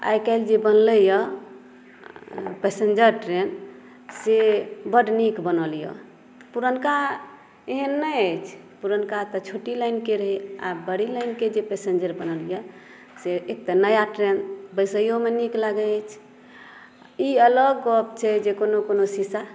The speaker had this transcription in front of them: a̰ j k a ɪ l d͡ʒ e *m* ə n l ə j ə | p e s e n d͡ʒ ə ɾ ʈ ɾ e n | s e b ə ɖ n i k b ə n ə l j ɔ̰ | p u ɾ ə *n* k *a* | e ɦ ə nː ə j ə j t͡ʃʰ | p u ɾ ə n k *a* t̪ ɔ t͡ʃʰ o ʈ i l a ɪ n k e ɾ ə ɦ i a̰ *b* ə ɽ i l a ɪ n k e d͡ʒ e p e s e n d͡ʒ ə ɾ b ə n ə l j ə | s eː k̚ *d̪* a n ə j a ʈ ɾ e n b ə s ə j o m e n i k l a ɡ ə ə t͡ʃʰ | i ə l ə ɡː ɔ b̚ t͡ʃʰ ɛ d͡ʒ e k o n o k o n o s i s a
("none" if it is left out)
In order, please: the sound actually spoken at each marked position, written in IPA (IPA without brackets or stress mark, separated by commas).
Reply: b, n, a, a, b, t̪